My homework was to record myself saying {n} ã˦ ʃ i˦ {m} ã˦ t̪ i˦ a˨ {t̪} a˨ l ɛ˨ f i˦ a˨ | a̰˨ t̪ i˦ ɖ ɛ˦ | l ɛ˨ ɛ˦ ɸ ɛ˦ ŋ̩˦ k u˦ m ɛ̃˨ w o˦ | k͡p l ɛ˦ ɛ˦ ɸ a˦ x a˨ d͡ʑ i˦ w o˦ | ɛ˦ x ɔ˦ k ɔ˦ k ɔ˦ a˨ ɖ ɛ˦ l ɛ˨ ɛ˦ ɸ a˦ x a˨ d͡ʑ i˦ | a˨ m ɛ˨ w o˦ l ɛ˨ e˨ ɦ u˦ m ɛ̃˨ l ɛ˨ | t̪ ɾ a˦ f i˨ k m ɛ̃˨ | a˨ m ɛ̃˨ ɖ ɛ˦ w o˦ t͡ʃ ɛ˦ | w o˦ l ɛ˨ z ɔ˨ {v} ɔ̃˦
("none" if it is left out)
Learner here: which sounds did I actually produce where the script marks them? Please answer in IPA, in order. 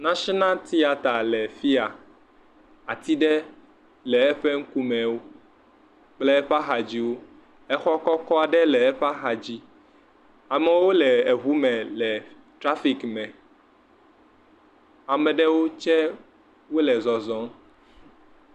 n, n, t̪, z

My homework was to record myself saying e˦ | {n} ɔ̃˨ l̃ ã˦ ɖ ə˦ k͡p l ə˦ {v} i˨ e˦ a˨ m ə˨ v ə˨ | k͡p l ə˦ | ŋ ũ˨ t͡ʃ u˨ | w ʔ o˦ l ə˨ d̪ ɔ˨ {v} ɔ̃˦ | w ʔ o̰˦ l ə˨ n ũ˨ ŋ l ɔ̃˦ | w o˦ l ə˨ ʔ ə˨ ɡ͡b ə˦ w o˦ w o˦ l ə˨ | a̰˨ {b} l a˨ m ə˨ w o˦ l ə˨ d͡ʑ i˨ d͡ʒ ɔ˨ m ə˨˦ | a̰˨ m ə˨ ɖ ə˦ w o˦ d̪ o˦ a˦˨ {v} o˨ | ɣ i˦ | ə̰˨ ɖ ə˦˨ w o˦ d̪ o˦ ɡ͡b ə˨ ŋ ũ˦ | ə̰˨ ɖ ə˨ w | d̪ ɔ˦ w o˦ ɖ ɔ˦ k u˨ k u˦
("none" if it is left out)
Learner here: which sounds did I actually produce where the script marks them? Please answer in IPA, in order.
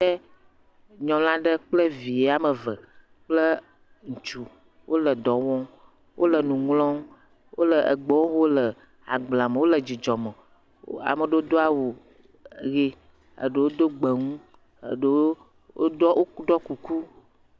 ɲ, v, w, ɡ͡b, w

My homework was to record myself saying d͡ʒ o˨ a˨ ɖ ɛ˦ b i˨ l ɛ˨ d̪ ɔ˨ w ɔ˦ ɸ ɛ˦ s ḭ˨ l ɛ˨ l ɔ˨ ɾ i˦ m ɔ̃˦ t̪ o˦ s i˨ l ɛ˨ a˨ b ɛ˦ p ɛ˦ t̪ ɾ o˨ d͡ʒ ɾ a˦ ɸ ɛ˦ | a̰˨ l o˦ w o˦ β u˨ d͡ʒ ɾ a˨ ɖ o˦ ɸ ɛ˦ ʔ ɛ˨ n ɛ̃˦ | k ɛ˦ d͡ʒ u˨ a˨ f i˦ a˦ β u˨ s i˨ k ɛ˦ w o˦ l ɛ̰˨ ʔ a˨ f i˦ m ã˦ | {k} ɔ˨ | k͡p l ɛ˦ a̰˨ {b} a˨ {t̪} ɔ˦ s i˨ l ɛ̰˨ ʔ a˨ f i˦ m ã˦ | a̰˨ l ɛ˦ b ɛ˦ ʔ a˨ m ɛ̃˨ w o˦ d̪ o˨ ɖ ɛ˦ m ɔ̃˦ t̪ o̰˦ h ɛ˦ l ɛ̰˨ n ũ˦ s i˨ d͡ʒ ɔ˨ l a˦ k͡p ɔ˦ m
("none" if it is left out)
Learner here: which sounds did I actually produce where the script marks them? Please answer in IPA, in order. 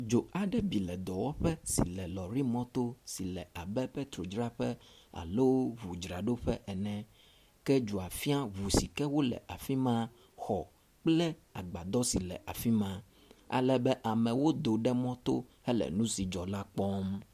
x, ɡ͡b, d̪

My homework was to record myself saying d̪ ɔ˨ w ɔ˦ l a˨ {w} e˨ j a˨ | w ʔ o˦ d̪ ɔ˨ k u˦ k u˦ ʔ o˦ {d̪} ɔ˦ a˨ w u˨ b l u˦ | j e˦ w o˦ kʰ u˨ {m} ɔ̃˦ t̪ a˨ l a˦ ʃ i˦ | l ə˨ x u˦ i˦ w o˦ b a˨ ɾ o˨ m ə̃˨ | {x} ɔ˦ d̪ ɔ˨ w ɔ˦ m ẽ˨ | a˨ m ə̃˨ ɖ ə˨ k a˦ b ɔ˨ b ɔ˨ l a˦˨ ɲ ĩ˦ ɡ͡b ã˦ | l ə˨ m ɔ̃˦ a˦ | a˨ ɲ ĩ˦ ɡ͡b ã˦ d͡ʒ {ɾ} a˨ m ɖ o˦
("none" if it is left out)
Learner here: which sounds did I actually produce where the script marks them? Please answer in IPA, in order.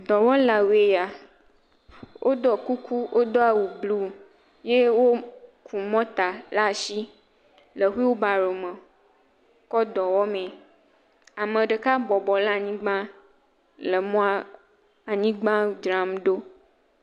w, d̪, m, k, ɾ

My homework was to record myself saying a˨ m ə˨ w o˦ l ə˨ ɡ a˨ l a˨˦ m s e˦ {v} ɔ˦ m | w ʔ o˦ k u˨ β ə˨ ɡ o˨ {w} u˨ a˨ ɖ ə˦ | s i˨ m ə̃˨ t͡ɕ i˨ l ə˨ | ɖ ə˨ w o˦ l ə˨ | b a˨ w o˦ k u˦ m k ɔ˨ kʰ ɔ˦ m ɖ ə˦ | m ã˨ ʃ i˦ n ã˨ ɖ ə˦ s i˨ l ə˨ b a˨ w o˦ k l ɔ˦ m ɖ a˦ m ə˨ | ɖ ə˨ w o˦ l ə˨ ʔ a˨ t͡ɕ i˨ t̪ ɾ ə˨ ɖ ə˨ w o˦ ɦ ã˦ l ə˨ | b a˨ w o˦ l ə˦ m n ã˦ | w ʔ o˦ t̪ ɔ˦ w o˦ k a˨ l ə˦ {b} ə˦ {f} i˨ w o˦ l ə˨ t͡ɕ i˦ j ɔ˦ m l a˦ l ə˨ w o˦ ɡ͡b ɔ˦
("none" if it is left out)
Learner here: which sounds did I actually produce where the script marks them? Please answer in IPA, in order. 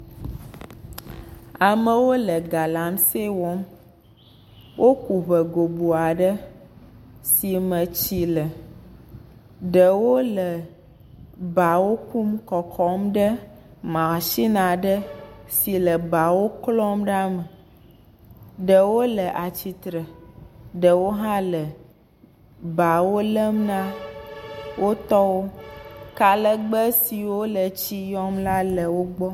w, b, ɡ͡b, s

